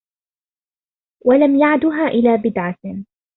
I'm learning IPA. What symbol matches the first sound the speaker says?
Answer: w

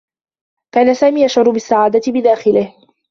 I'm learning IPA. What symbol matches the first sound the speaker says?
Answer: k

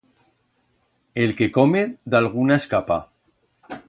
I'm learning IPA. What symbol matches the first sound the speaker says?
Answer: e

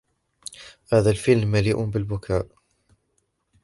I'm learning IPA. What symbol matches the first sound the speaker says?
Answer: h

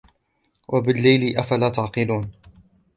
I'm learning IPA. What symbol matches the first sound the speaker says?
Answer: w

